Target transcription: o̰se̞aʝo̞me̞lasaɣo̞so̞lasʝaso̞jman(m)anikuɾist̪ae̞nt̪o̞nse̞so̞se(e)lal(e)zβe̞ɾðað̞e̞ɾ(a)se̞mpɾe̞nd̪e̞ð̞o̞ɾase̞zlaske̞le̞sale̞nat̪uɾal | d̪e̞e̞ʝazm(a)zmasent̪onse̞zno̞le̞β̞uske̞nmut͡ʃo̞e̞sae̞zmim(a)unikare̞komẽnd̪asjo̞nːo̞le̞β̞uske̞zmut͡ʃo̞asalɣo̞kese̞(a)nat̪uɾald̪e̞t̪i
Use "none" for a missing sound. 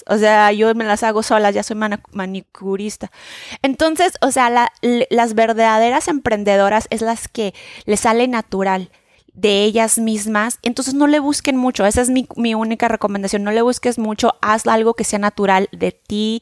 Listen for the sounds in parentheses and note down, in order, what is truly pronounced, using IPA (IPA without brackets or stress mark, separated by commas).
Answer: m, a, a, a, i, i, a